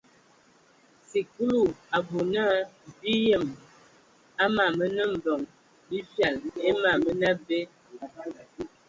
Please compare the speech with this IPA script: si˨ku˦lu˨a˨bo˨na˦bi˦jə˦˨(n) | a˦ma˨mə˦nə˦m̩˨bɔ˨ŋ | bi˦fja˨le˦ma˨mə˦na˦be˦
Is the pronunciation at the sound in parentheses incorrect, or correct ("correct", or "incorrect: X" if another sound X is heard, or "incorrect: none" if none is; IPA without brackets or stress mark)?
incorrect: m